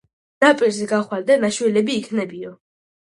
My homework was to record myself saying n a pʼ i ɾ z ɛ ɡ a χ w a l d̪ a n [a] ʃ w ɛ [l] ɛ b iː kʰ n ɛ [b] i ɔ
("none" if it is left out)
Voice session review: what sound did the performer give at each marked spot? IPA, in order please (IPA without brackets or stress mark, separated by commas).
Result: a, l, b